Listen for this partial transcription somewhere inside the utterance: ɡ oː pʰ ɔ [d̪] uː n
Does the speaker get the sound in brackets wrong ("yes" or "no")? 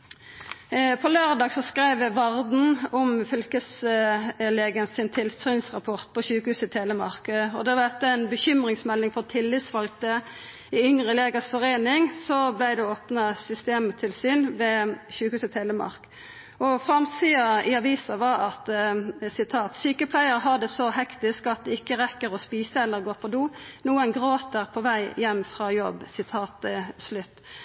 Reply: no